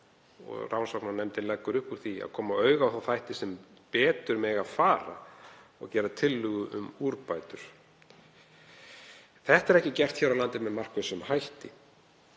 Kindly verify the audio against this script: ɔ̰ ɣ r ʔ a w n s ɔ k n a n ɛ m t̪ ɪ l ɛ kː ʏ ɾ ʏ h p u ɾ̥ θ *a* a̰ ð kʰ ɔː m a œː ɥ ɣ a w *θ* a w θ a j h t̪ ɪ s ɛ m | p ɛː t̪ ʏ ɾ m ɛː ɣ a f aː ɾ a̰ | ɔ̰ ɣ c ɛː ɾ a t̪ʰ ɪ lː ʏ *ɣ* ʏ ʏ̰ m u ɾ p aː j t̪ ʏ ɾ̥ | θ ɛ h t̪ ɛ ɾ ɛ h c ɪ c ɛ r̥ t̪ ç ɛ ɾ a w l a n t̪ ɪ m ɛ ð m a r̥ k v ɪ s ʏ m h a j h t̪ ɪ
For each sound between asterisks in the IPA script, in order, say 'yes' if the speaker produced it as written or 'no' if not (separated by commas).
no, yes, yes